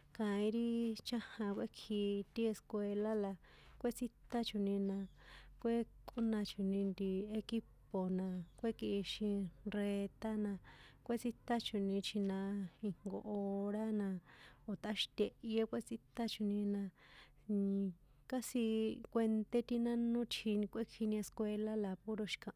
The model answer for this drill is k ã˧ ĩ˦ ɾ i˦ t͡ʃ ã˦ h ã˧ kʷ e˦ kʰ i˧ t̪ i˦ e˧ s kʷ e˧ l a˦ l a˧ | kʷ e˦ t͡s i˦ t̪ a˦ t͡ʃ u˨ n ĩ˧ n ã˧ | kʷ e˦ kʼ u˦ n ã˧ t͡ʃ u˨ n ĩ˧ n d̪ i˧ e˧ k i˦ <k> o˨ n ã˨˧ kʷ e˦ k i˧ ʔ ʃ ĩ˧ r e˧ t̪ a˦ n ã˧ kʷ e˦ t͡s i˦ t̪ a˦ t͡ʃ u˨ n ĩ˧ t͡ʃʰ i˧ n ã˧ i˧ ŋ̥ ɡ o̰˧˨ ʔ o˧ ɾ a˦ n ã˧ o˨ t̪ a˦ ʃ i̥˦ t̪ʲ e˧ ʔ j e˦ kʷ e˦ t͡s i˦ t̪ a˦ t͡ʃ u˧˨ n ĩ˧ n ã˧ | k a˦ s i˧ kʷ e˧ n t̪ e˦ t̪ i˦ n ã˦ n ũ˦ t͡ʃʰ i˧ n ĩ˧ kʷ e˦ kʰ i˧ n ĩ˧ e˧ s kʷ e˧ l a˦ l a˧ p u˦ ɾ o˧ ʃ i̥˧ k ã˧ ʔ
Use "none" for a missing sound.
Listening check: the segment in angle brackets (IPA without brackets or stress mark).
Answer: p